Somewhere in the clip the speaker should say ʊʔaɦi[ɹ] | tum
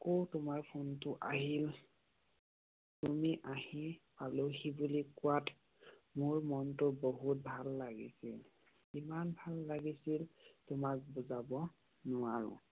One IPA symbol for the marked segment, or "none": l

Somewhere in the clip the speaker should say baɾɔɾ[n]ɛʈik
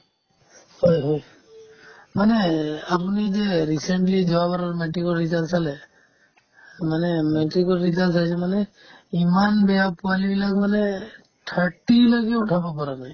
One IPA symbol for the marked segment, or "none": m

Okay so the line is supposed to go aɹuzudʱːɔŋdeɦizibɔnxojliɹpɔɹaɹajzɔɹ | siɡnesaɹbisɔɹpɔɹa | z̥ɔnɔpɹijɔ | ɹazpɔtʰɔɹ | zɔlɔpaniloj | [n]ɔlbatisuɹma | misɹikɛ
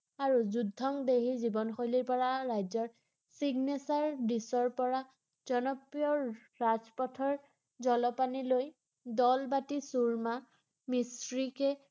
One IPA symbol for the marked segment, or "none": d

